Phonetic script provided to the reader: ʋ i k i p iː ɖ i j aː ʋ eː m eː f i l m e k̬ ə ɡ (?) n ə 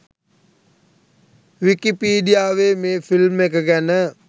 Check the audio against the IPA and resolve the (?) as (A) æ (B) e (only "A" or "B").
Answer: A